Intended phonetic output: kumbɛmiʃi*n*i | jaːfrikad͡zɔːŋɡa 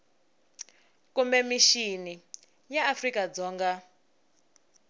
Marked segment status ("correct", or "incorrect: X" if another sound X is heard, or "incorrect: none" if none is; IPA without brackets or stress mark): correct